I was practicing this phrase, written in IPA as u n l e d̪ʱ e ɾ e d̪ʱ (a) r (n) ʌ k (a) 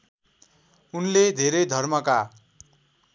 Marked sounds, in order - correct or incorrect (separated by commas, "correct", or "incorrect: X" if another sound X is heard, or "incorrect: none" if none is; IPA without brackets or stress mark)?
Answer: incorrect: ʌ, incorrect: m, correct